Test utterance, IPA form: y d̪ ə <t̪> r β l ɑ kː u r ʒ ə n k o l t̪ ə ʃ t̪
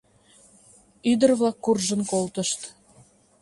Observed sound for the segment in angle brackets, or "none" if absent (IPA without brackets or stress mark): none